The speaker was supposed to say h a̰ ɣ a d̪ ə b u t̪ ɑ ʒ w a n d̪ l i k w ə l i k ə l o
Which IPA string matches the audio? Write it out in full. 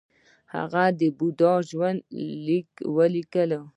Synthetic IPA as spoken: h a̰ ɣ a d̪ ə b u d̪ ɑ ʒ w a n d̪ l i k w ə l i k ə l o